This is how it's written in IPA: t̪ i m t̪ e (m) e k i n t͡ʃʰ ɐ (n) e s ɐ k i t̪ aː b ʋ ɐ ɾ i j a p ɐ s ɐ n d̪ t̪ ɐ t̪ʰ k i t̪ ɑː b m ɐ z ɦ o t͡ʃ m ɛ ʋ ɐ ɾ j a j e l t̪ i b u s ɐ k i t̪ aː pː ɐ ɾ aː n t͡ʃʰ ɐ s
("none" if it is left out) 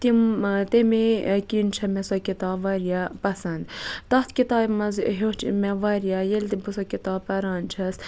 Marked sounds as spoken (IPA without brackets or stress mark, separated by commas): m, m